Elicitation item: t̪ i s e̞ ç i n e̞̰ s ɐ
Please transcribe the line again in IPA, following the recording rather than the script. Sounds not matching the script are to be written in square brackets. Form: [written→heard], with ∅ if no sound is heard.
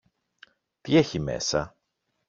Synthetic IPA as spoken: t̪ i [s→∅] e̞ ç i [n→m] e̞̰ s ɐ